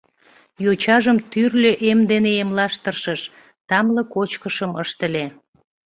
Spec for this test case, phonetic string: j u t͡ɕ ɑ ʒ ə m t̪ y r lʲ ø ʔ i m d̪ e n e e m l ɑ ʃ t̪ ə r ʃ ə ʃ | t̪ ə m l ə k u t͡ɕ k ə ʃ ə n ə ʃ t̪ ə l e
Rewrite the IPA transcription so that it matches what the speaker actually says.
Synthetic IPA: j o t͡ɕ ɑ ʒ ə m t̪ y r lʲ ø ʔ e m d̪ e n e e m l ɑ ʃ t̪ ə r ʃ ə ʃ | t̪ ɑ m l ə k o t͡ɕ k ə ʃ ə m ə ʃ t̪ ə l e